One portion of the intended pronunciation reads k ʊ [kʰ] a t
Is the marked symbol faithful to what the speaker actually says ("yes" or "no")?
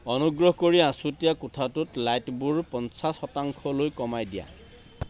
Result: no